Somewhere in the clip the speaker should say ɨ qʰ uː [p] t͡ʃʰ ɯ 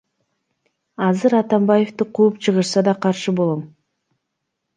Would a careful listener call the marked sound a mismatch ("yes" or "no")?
no